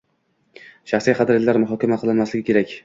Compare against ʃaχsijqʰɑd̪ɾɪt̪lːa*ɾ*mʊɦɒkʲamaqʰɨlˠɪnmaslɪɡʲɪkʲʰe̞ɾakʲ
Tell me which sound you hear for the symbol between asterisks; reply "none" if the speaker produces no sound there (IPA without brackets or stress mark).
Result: ɾ